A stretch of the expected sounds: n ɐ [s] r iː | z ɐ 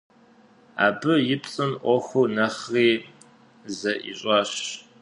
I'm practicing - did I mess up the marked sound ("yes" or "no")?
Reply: yes